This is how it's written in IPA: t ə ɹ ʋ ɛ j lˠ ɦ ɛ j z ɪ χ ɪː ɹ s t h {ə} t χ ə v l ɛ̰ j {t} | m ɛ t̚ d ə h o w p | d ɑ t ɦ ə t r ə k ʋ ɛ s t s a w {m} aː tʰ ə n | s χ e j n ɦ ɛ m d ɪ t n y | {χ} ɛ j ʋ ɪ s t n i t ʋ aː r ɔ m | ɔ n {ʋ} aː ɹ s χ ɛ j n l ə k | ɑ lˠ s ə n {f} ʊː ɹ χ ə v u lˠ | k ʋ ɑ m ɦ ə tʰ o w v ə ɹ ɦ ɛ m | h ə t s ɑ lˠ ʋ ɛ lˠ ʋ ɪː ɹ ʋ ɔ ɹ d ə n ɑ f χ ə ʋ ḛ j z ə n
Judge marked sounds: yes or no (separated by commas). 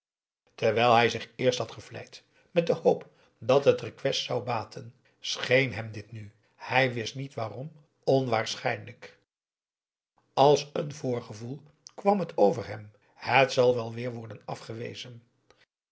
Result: no, yes, no, no, yes, no